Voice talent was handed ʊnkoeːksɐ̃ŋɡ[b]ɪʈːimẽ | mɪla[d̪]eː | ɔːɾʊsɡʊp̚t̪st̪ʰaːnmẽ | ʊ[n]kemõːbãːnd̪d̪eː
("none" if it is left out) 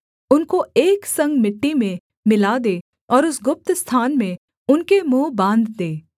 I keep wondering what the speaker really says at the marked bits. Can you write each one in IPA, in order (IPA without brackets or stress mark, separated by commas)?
m, d̪, n